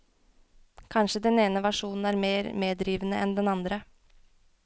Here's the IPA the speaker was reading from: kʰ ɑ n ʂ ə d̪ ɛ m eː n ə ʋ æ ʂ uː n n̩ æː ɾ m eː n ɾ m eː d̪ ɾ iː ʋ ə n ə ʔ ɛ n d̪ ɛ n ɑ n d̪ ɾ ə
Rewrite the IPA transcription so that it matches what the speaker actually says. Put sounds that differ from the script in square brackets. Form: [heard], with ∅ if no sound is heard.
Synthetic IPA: kʰ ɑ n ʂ ə d̪ ɛ [n] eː n ə ʋ æ ʂ uː n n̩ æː ɾ m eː [∅] ɾ m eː d̪ ɾ iː ʋ ə n ə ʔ ɛ n d̪ ɛ n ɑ n d̪ ɾ ə

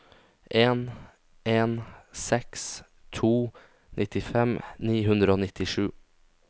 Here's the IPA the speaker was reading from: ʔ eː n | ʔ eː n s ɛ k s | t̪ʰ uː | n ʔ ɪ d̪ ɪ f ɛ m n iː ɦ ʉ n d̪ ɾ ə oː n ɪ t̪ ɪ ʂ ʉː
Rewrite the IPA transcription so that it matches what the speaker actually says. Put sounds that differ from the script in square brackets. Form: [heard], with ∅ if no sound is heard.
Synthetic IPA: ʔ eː n | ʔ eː n s ɛ k s | t̪ʰ uː | n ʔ ɪ [t̪] ɪ f ɛ m n iː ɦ ʉ n d̪ ɾ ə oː n ɪ t̪ ɪ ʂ ʉː

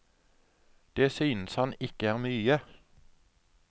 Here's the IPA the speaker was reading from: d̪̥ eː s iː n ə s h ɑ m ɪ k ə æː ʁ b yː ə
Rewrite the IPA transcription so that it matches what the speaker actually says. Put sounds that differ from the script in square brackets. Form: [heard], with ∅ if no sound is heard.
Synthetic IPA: d̪̥ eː s [yː] n ə s h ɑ [n] ɪ k ə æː ʁ [m] yː ə

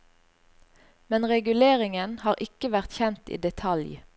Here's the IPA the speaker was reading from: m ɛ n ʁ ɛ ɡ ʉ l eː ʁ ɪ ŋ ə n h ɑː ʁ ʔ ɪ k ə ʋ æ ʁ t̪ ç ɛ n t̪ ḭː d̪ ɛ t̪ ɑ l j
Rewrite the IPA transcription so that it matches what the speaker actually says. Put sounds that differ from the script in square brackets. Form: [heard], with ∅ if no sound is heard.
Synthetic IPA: m ɛ n ʁ ɛ ɡ ʉ l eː ʁ ɪ ŋ ə n h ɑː ʁ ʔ ɪ k ə ʋ æ ʁ t̪ ç ɛ n t̪ ḭː d̪ ɛ [t̪ʰ] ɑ l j

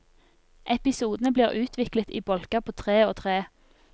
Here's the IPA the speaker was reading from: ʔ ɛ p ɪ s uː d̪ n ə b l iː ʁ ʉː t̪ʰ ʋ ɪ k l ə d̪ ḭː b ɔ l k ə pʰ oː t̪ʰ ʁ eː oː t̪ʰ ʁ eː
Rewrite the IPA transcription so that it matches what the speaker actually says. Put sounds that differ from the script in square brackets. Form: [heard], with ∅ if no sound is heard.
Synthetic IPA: ʔ ɛ p ɪ s uː d̪ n ə b l iː ʁ ʉː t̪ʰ ʋ ɪ k l ə [t̪] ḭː b ɔ l k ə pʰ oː t̪ʰ ʁ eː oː t̪ʰ ʁ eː

